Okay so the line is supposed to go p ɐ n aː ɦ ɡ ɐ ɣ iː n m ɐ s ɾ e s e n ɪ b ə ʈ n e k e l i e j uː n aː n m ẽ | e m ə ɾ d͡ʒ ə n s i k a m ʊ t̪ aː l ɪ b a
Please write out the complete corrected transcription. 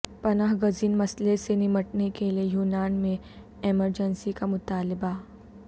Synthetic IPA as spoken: p ɐ n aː ɦ ɡ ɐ z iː n m ɐ s l e s e n ɪ m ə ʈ n e k e l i e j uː n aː n m ẽ | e m ə ɾ d͡ʒ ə n s i k a m ʊ t̪ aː l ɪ b a